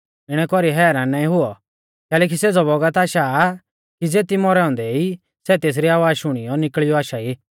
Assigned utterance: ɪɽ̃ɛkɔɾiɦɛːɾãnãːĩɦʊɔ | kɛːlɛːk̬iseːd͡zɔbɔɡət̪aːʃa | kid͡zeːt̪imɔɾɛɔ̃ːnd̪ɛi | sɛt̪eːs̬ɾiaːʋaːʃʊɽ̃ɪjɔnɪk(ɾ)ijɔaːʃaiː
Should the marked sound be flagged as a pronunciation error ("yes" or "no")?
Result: yes